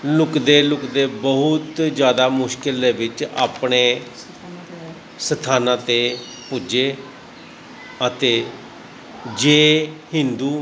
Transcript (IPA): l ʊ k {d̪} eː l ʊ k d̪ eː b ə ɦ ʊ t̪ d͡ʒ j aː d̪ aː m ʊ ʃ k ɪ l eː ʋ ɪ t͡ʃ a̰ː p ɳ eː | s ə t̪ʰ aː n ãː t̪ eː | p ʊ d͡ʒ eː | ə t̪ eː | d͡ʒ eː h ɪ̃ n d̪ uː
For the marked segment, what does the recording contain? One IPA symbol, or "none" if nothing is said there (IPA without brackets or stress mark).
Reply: d̪